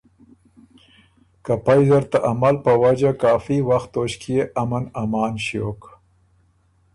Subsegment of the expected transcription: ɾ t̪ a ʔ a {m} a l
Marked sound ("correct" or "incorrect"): correct